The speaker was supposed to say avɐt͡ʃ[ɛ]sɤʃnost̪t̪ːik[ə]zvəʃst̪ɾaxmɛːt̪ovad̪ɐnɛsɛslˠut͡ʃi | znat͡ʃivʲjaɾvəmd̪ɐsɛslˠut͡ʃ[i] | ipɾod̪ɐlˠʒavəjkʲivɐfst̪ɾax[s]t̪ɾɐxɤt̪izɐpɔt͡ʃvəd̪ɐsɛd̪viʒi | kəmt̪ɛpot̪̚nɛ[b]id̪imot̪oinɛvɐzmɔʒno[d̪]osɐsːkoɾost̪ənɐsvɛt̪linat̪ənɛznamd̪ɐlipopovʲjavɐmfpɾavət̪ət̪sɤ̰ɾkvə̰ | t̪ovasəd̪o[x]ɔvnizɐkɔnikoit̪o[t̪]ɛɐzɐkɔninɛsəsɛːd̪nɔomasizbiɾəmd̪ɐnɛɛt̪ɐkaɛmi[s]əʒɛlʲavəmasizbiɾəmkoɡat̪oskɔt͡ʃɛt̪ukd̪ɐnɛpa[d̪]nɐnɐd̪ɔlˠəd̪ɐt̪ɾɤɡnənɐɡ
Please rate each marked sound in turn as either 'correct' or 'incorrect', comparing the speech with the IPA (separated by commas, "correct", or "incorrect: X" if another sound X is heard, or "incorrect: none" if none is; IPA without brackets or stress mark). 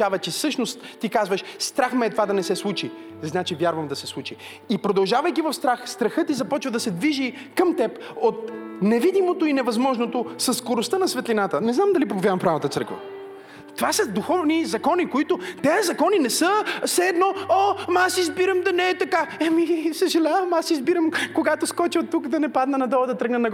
correct, incorrect: a, correct, correct, incorrect: v, incorrect: t̪, correct, correct, correct, correct